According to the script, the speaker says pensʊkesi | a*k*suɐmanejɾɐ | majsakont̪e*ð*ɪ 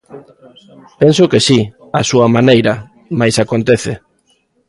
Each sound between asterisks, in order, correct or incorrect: incorrect: none, incorrect: θ

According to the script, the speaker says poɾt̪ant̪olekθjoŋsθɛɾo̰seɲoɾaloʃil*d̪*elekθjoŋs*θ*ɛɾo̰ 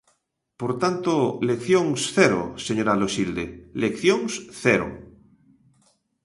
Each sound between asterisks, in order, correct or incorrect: correct, correct

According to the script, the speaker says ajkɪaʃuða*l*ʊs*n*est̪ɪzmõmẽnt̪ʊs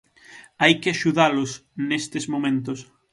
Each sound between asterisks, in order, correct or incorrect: correct, correct

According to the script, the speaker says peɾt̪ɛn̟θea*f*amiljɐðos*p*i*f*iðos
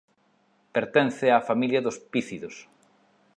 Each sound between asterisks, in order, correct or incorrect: correct, correct, incorrect: θ

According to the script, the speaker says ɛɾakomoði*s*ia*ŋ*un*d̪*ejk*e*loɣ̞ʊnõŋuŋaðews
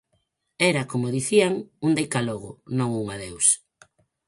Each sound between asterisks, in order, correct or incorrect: incorrect: θ, correct, correct, incorrect: a

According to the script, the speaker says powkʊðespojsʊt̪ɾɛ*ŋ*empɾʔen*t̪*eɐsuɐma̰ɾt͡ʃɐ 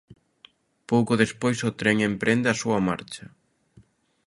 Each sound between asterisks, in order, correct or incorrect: correct, incorrect: d̪

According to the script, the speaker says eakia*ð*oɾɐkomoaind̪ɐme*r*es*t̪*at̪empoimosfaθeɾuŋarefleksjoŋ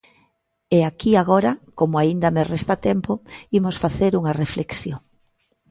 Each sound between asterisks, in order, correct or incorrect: incorrect: ɣ, correct, correct

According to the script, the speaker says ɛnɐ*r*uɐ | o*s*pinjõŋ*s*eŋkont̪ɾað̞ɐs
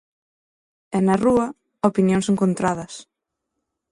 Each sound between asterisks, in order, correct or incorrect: correct, incorrect: none, correct

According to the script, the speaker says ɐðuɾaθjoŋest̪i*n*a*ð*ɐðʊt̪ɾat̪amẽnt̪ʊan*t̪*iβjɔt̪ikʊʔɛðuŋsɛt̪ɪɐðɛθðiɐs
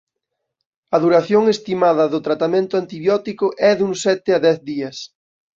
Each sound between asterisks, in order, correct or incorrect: incorrect: m, correct, correct

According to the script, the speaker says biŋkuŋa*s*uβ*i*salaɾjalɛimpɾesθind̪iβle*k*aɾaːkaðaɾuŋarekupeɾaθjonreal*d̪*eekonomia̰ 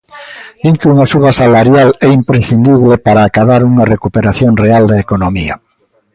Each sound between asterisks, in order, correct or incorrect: correct, incorrect: a, incorrect: p, correct

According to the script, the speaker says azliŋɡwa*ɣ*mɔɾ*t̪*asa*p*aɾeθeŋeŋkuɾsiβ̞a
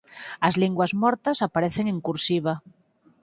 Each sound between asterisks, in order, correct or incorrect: incorrect: z, correct, correct

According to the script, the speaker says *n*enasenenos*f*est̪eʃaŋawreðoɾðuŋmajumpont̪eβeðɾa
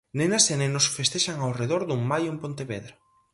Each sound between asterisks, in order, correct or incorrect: correct, correct

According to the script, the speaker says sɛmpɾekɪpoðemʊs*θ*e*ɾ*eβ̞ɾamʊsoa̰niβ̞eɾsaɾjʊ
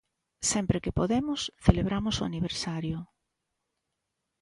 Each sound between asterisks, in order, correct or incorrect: correct, incorrect: l

